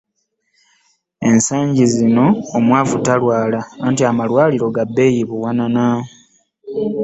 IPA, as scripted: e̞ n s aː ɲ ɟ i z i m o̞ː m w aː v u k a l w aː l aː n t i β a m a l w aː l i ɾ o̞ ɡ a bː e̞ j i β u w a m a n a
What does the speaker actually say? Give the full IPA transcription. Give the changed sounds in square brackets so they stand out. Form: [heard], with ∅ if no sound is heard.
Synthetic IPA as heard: e̞ n s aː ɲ ɟ i z i [n] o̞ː m w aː v u [t] a l w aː l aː n t i [∅] a m a l w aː l i ɾ o̞ ɡ a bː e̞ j i β u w a [n] a n a